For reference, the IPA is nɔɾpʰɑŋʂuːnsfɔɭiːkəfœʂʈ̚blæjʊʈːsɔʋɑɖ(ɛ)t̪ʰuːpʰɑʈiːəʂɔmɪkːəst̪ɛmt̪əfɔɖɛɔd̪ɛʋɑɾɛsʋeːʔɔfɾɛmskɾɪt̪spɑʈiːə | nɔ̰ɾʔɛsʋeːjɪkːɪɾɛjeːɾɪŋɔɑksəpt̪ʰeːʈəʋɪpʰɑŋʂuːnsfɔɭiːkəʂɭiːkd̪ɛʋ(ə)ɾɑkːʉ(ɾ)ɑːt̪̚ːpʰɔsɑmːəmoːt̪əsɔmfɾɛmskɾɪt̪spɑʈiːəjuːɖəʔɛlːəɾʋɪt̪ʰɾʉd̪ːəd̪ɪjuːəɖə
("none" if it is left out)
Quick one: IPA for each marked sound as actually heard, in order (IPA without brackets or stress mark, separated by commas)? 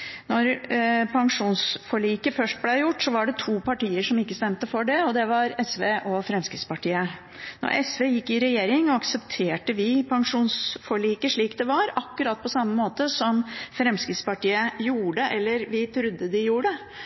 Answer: ɛ, ɑ, ɾ